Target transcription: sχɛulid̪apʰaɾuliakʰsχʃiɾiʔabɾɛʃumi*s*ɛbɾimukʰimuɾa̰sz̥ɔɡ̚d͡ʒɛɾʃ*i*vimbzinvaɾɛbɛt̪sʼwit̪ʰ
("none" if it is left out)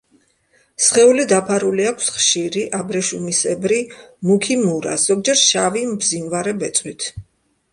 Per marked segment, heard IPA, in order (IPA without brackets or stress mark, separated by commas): s, a